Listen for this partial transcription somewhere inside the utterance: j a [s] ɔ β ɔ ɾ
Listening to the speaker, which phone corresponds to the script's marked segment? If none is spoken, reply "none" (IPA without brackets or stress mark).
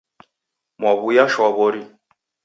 ʃ